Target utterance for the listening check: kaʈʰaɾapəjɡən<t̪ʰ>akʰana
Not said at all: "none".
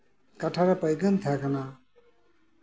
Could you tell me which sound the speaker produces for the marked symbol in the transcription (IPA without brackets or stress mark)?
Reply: t̪ʰ